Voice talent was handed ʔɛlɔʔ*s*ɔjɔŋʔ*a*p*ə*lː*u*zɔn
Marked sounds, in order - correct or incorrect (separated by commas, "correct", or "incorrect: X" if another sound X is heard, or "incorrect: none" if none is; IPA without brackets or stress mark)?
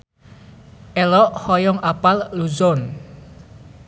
incorrect: h, correct, incorrect: a, correct